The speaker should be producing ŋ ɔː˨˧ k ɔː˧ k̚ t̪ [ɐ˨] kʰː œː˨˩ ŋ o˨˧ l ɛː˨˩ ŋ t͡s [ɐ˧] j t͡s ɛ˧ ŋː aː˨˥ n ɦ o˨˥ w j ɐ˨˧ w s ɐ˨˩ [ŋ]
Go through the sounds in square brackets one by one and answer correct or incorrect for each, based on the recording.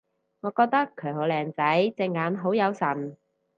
incorrect, incorrect, incorrect

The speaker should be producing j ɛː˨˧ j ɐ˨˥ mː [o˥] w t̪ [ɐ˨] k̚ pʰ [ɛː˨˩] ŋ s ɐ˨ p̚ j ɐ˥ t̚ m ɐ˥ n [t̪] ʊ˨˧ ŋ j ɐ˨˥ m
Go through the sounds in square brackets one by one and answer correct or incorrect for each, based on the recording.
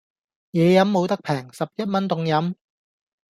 incorrect, incorrect, correct, correct

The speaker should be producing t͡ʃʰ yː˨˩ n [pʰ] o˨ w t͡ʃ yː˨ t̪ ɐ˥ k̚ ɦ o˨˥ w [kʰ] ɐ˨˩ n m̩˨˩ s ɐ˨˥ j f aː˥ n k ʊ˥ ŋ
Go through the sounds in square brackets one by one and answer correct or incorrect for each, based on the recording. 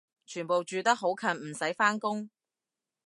incorrect, correct

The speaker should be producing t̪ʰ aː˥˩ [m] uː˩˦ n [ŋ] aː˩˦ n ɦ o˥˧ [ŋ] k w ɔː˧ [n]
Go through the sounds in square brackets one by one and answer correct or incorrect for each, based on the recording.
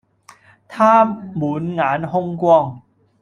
correct, correct, correct, incorrect

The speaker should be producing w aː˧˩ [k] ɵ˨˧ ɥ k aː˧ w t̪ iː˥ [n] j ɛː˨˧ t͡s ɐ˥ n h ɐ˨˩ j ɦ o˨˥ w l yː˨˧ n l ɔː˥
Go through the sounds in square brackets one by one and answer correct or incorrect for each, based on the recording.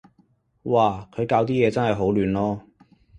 incorrect, incorrect

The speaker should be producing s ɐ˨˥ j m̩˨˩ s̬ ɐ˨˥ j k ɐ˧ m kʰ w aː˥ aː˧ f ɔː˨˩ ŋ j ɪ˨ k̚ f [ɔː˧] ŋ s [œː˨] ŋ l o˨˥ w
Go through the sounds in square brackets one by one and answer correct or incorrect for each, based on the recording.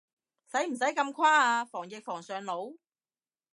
incorrect, correct

